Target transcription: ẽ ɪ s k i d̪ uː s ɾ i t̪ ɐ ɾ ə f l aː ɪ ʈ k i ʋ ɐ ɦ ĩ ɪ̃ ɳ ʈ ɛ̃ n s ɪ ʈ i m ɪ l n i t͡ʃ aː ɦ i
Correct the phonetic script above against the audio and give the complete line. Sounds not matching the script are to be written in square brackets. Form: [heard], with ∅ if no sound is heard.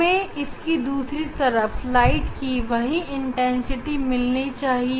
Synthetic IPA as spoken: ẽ ɪ s k i d̪ uː s ɾ i t̪ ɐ ɾ ə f l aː ɪ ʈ k i ʋ ɐ ɦ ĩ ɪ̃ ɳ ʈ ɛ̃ n s ɪ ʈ i m ɪ l n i t͡ʃ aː ɦ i

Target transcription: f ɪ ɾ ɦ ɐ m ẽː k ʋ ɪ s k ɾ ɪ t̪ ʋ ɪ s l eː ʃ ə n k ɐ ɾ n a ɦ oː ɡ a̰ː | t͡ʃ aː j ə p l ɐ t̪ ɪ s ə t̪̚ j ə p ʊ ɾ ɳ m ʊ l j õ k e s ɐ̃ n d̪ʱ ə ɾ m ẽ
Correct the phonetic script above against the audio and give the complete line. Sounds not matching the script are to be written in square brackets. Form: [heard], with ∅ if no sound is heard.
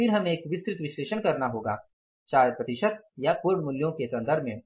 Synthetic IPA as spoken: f ɪ ɾ ɦ ɐ m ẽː k ʋ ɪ s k ɾ ɪ t̪ ʋ ɪ [ʃ] l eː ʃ ə n k ɐ ɾ n a ɦ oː ɡ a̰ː | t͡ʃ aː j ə p [ɾ] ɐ t̪ ɪ [ʃ] ə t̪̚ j [a] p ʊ ɾ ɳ m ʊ l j õ k e s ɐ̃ n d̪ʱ ə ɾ m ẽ

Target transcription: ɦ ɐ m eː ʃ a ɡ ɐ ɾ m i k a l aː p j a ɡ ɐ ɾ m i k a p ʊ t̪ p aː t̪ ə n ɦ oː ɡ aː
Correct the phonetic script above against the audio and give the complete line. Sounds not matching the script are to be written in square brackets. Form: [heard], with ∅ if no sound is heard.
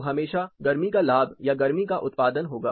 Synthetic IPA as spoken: ɦ ɐ m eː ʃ a ɡ ɐ ɾ m i k a l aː [b] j a ɡ ɐ ɾ m i k a [ʔ] ʊ t̪ p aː [d̪] ə n ɦ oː ɡ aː

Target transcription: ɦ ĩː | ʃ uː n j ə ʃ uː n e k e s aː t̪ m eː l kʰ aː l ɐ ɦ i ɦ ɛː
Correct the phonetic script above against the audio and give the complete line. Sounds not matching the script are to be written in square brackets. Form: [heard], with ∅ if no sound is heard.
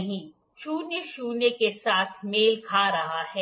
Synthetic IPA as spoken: ɦ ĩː | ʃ uː n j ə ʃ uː n e k e s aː [t̪ʰ] m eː l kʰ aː [ɾ] ɐ ɦ [a] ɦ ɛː

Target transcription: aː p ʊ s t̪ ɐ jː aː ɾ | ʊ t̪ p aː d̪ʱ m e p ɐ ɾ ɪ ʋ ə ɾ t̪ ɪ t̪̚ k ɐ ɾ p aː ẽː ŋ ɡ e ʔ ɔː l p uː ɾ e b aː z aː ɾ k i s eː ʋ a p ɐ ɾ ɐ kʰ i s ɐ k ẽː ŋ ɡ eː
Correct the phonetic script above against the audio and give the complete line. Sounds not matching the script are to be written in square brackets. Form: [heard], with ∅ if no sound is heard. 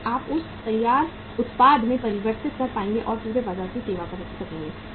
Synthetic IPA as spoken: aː p ʊ s t̪ ɐ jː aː ɾ | ʊ t̪ p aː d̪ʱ m [ẽ] p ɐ ɾ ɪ ʋ ə ɾ t̪ ɪ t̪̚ k ɐ ɾ p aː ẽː ŋ ɡ e ʔ ɔː [ɾ] p uː ɾ e b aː z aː ɾ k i s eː ʋ a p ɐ ɾ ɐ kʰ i s ɐ k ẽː ŋ ɡ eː

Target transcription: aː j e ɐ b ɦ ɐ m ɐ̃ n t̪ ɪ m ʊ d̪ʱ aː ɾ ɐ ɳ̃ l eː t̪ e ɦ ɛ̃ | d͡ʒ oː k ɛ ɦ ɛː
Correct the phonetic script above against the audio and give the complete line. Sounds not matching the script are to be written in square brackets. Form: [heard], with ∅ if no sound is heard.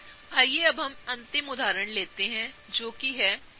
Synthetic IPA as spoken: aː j e ɐ b ɦ ɐ m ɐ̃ n t̪ ɪ m ʊ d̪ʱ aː ɾ [ə] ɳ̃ l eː t̪ e ɦ ɛ̃ | d͡ʒ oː k [i] ɦ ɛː

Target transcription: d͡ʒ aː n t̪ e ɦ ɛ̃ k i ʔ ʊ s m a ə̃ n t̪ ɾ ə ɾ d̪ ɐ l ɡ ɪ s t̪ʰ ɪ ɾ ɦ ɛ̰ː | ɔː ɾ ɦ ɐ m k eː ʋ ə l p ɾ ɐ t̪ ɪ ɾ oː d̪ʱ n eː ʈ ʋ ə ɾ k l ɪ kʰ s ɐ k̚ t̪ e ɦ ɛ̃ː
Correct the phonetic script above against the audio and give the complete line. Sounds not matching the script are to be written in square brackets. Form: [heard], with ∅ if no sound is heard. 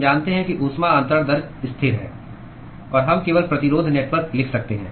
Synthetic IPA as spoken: d͡ʒ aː n t̪ e ɦ ɛ̃ k i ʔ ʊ s m a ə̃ n t̪ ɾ ə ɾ d̪ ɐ [ɾ] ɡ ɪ s t̪ʰ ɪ ɾ ɦ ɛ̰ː | ɔː ɾ ɦ ɐ m k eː ʋ ə l p ɾ ɐ t̪ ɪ ɾ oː d̪ʱ n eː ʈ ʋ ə ɾ k l ɪ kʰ s ɐ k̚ t̪ e ɦ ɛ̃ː

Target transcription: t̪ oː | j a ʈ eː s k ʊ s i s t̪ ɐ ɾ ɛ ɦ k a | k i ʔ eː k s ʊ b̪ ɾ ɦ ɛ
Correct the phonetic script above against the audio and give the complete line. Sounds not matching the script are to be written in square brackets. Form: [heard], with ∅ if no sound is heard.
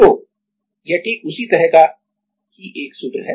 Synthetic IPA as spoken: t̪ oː | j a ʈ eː [∅] k ʊ s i [∅] t̪ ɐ ɾ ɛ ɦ k a | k i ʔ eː k s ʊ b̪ ɾ ɦ ɛ

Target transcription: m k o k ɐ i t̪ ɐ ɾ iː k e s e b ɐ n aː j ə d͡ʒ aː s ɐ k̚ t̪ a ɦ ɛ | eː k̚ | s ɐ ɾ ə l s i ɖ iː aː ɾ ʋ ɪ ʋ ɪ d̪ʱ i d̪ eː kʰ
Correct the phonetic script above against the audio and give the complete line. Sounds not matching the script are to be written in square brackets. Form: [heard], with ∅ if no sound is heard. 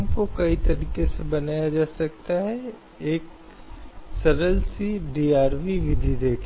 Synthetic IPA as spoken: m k o k ɐ i t̪ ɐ ɾ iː k e s e b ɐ n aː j [a] d͡ʒ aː s ɐ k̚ t̪ a ɦ ɛ | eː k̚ | s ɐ ɾ ə l s i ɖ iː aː ɾ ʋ [i] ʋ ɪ d̪ʱ i d̪ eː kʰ

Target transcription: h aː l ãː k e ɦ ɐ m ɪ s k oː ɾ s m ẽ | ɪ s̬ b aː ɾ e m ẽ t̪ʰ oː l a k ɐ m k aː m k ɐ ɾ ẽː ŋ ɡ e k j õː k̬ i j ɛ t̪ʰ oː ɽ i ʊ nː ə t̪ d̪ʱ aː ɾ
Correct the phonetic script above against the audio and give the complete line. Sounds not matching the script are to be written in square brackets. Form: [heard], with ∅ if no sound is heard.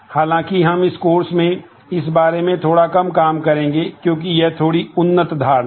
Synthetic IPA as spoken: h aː l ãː k [i] ɦ ɐ m ɪ s k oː ɾ s m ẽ | ɪ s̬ b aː ɾ e m ẽ t̪ʰ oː [ɽ] a k ɐ m k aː m k ɐ ɾ ẽː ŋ ɡ e k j õː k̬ i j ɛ t̪ʰ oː ɽ i ʊ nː ə t̪ d̪ʱ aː ɾ

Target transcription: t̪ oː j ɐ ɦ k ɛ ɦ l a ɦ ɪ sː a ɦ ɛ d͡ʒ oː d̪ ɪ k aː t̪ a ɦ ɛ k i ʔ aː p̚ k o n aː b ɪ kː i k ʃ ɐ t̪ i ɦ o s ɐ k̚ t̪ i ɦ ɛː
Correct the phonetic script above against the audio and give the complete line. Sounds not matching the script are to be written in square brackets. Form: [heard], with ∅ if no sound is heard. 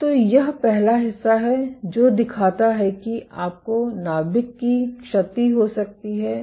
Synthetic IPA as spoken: t̪ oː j ɐ ɦ [p] ɛ ɦ l a ɦ ɪ sː a ɦ ɛ d͡ʒ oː d̪ ɪ [kʰ] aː t̪ a ɦ ɛ k i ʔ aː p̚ k o n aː b ɪ kː i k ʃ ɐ t̪ i ɦ o s ɐ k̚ t̪ i ɦ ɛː

